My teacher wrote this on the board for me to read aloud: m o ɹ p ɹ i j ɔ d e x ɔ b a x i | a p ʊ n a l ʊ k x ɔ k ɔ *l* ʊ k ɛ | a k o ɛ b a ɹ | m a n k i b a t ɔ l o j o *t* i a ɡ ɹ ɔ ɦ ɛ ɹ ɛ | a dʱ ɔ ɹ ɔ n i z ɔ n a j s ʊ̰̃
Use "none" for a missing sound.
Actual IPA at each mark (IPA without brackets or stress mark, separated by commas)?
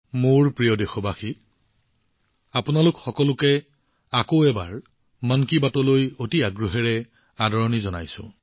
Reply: l, t